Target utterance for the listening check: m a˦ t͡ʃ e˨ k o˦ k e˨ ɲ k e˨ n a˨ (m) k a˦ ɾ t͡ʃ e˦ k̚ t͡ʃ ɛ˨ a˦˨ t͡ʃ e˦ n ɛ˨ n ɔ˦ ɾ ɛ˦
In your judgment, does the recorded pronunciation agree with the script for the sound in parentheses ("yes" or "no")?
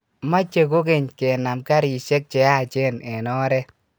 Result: yes